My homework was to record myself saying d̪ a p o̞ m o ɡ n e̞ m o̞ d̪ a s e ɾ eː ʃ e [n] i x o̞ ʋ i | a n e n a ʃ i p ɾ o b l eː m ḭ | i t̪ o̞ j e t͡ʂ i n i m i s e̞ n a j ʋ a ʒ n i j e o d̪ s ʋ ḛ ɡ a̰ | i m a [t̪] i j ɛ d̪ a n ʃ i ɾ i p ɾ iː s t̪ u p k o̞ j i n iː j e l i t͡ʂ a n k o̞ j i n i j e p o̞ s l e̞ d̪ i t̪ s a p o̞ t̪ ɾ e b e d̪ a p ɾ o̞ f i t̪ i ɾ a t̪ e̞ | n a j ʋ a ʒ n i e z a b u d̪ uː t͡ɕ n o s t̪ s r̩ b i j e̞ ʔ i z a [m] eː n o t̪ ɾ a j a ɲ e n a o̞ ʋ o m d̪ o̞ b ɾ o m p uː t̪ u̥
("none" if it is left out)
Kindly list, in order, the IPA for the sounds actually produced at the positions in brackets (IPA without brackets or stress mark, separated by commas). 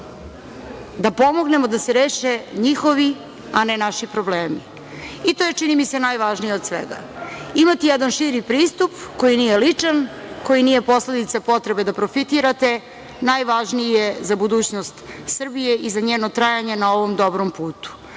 ɲ, t̪, ɲ